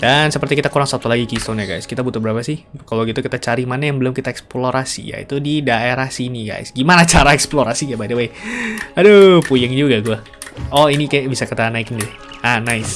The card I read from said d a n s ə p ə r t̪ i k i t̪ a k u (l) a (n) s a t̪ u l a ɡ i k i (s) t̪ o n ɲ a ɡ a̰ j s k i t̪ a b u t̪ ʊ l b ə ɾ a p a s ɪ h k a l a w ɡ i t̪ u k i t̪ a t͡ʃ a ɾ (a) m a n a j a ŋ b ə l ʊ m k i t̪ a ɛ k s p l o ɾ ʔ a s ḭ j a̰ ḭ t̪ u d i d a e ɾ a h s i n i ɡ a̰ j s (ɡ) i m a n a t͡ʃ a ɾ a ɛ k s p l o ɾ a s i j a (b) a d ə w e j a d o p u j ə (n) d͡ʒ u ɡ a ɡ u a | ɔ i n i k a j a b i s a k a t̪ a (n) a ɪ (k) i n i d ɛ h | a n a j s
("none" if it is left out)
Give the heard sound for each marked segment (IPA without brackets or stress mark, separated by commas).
ɾ, ŋ, s, i, ɡ, b, ŋ, n, k